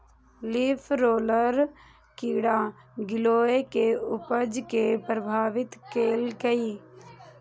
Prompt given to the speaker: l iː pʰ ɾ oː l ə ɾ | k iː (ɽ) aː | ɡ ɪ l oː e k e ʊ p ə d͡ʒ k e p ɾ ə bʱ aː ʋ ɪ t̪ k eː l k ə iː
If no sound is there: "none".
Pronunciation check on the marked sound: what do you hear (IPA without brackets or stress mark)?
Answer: ɽ